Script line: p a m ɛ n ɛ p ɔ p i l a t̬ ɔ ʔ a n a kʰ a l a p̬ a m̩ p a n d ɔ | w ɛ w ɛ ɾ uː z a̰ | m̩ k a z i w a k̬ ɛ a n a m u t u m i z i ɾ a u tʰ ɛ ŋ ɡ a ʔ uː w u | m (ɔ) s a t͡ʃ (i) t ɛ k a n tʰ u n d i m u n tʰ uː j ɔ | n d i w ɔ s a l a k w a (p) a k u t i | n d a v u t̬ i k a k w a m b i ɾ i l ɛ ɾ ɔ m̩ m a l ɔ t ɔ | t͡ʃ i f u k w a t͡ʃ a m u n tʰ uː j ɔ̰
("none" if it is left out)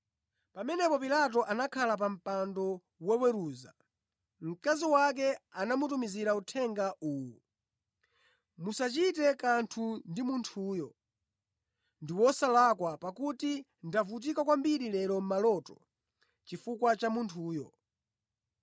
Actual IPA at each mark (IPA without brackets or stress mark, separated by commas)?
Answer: u, i, p